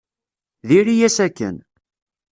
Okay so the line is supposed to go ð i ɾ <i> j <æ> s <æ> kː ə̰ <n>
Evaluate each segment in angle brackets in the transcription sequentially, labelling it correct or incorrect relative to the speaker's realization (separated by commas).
correct, correct, correct, correct